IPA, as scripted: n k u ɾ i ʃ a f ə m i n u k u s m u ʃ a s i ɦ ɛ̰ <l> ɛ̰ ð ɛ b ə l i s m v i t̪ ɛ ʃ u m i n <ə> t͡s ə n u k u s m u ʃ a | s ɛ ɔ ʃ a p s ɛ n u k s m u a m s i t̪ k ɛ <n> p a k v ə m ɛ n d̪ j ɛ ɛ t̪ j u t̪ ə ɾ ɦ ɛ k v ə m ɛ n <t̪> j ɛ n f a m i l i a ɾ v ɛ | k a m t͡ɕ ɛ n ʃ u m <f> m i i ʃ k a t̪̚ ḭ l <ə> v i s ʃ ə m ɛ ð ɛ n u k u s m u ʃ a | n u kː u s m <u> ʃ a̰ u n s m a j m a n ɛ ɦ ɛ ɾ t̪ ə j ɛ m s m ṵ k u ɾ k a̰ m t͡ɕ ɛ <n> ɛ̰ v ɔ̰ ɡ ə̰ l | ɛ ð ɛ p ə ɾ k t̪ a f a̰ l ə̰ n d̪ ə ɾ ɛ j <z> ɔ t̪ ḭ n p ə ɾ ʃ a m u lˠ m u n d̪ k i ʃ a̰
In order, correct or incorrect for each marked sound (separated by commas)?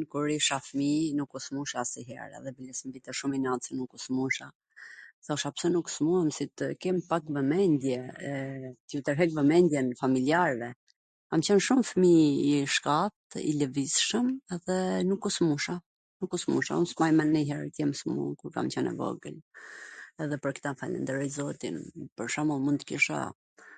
incorrect, incorrect, incorrect, incorrect, correct, correct, correct, correct, correct